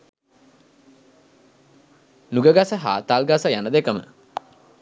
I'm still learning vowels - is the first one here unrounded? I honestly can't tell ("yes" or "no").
no